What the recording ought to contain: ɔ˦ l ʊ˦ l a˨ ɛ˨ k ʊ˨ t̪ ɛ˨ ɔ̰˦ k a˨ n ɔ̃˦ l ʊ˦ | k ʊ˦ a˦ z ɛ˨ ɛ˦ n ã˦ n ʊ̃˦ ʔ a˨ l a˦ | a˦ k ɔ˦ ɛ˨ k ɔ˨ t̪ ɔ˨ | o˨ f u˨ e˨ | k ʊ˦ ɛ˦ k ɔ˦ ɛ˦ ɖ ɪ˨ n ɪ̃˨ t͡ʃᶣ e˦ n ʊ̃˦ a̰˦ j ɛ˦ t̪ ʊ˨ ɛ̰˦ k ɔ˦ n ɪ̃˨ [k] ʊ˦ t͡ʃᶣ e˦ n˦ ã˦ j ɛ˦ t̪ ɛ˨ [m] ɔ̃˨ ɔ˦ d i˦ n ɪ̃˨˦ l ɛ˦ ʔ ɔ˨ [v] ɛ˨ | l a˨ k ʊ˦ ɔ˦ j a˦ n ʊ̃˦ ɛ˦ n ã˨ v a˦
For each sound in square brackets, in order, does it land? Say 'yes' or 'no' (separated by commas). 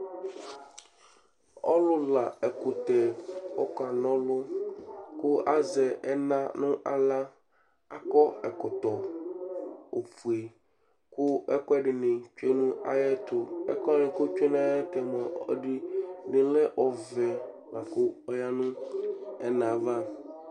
yes, yes, yes